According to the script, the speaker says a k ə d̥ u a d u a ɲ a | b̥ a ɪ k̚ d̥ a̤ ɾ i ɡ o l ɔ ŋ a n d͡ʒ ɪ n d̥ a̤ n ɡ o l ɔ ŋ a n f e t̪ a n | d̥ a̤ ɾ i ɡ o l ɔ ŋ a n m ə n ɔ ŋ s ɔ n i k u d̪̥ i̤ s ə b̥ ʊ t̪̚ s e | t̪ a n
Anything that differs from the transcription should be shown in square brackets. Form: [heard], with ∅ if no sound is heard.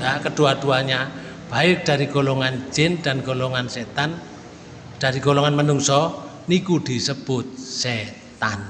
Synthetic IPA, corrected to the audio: a k ə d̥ u a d u a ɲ a | b̥ a ɪ k̚ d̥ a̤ ɾ i ɡ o l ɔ ŋ a n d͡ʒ ɪ n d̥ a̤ n ɡ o l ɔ ŋ a n [s] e t̪ a n | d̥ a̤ ɾ i ɡ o l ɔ ŋ a n m ə n [u] ŋ s ɔ n i k u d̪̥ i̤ s ə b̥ ʊ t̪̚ s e | t̪ a n